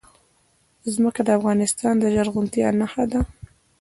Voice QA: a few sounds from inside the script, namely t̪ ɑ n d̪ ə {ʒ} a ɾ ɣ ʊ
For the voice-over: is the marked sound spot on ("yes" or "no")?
yes